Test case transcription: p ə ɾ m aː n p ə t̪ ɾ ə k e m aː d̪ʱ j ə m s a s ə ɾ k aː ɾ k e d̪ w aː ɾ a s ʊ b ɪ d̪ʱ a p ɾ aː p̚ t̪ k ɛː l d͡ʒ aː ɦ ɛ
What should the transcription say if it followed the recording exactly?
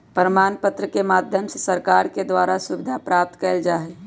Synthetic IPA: p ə ɾ m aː n p ə t̪ ɾ ə k e m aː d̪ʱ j ə m s e s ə ɾ k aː ɾ k e d̪ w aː ɾ a s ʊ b ɪ d̪ʱ a p ɾ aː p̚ t̪ k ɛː l d͡ʒ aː ɦ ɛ